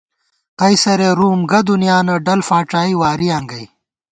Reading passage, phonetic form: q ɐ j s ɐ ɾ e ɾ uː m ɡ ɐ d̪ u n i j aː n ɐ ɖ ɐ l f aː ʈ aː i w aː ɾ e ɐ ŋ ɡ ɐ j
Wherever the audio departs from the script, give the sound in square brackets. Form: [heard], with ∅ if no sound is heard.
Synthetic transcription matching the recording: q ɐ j s ɐ ɾ e ɾ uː m ɡ ɐ d̪ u n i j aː n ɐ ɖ ɐ l f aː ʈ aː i w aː ɾ [i] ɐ ŋ ɡ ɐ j